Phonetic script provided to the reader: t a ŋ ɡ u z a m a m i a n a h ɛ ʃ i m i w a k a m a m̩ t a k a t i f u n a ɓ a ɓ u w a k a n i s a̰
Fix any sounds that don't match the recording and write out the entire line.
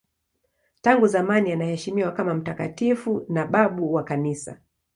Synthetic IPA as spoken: t a ŋ ɡ u z a m a n i a n a h ɛ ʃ i m i w a k a m a m̩ t a k a t i f u n a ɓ a ɓ u w a k a n i s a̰